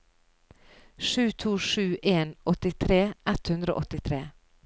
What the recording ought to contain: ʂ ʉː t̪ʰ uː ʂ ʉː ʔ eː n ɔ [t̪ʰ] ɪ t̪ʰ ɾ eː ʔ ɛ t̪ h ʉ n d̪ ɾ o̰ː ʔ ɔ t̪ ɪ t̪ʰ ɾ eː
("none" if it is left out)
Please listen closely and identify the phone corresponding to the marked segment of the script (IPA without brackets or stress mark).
t̪